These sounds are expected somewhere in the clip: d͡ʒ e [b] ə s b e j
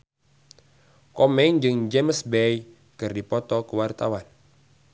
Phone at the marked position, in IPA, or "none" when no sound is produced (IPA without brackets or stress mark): m